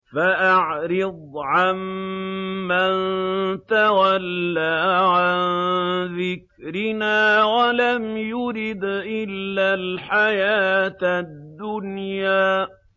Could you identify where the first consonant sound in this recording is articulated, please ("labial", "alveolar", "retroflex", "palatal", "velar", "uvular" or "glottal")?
labial